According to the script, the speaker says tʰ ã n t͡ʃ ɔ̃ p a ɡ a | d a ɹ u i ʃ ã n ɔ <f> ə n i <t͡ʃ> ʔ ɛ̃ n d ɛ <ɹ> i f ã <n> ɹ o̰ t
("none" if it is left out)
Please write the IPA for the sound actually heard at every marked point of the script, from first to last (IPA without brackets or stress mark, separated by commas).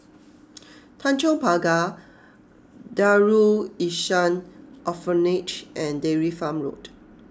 f, t͡ʃ, ɹ, m